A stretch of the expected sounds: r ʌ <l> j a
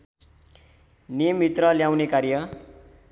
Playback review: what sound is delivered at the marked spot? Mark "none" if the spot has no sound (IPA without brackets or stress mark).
l